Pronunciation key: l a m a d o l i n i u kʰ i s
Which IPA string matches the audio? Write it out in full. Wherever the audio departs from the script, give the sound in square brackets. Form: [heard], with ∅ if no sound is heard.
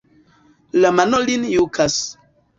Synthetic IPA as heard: l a m a [n] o l i n [j] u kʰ [a] s